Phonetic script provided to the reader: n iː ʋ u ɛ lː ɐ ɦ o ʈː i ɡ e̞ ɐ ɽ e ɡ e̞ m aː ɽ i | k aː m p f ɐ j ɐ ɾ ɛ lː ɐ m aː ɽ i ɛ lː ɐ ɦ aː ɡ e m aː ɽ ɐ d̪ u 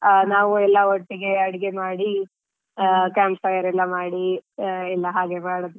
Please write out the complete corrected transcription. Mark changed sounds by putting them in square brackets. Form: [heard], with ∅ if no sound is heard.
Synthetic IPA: n [aː] ʋ u ɛ lː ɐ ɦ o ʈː i ɡ e̞ ɐ ɽ [i] ɡ e̞ m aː ɽ i | k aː m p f ɐ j ɐ ɾ ɛ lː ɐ m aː ɽ i ɛ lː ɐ ɦ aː ɡ e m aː ɽ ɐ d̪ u

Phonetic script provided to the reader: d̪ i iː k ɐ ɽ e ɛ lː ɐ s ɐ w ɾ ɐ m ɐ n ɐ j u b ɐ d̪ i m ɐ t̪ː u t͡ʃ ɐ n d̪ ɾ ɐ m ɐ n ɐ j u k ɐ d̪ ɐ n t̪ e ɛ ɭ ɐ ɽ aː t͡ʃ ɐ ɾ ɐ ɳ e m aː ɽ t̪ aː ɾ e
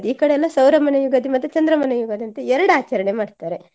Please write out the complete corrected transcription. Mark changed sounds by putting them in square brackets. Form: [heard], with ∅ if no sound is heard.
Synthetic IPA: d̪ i iː k ɐ ɽ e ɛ lː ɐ s ɐ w ɾ ɐ m ɐ n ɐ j u [ɡ] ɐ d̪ i m ɐ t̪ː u t͡ʃ ɐ n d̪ ɾ ɐ m ɐ n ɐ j u [ɡ] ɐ d̪ ɐ n t̪ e ɛ [ɾ] ɐ ɽ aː t͡ʃ ɐ ɾ ɐ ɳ e m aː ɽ t̪ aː ɾ e

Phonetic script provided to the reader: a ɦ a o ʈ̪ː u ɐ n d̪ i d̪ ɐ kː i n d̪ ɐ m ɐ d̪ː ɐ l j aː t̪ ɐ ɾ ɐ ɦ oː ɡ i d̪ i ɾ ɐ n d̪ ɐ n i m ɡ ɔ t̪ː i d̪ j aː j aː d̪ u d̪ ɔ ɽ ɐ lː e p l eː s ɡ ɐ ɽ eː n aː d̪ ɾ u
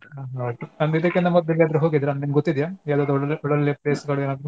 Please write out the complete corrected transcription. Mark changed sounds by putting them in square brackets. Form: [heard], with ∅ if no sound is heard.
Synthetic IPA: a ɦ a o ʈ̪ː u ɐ n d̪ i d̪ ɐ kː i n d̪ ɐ m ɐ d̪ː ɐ l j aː [d̪] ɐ ɾ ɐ ɦ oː ɡ i d̪ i ɾ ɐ n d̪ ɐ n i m ɡ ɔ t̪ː i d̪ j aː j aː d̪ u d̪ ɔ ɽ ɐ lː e p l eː s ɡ ɐ [ɭ] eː n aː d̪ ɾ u

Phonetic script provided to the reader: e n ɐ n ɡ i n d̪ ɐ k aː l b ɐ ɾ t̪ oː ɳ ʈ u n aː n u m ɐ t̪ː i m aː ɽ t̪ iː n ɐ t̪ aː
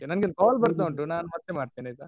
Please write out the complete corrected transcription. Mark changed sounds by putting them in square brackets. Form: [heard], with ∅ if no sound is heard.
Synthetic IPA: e n ɐ n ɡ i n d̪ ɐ k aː l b ɐ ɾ t̪ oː ɳ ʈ u n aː n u m ɐ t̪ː [e] m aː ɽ t̪ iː n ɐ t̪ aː

